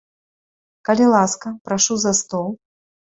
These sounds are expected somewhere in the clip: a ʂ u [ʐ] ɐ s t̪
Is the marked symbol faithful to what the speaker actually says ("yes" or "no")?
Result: no